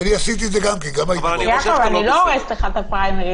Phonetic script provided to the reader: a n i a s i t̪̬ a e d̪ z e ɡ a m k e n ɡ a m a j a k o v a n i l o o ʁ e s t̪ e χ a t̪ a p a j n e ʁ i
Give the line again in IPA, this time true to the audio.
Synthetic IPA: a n i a s i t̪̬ i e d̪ z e ɡ a m k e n ɡ a m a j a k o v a n i l o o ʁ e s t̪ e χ a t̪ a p a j m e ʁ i

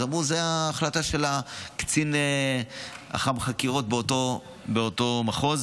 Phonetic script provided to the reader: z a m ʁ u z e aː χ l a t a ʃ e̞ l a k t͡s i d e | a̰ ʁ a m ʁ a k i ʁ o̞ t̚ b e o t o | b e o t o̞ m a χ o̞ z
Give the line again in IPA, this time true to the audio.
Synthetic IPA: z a m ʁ u z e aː χ l a t a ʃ e̞ l a k t͡s i n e | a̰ χ a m χ a k i ʁ o̞ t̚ b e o t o | b e o t o̞ m a χ o̞ z

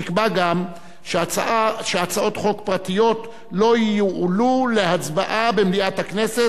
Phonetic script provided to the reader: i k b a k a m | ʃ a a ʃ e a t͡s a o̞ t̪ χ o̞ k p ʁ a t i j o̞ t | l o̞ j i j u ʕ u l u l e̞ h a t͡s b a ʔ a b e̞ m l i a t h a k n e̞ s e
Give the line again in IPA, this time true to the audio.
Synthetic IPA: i k b a ɡ a m | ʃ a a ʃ e a t͡s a o̞ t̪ χ o̞ k p ʁ a t i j o̞ t | l o̞ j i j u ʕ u l u l e̞ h a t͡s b a ʔ a b e̞ m l i a t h a k n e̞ s e

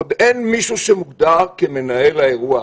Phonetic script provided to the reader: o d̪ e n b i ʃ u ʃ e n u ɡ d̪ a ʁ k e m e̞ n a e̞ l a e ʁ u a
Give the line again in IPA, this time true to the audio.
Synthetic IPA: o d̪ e n m i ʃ u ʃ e m u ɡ d̪ a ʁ k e m e̞ n a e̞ l a e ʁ u a

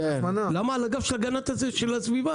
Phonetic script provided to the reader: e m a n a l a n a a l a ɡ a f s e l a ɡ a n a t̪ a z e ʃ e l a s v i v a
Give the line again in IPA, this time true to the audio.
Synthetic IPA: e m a n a l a m a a l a ɡ a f ʃ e l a ɡ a n a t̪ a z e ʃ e l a s v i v a

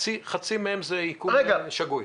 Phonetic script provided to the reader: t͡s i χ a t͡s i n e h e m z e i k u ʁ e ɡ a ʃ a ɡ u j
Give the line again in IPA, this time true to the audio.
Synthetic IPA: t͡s i χ a t͡s i m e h e m z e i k u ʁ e ɡ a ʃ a ɡ u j

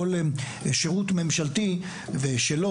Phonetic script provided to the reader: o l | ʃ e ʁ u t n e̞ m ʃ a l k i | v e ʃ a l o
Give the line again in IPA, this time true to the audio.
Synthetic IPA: o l | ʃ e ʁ u t m e̞ m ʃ a l t i | v e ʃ e l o

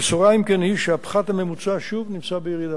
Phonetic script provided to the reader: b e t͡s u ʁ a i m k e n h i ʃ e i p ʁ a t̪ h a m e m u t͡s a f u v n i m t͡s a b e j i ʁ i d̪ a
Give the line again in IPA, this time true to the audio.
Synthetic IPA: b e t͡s u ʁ a i m k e n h i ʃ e a p χ a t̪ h a m e m u t͡s a ʃ u v n i m t͡s a b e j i ʁ i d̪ a

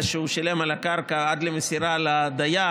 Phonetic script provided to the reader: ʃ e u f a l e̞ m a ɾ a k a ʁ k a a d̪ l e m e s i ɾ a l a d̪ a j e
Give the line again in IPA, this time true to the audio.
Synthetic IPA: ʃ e u ʃ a l e̞ m a l a k a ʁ k a a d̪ l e m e s i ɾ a l a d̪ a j a

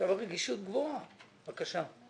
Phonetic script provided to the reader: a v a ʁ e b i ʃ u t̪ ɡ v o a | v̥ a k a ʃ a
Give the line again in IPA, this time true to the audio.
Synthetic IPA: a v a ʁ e ɡ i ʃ u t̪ ɡ v o a | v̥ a k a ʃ a

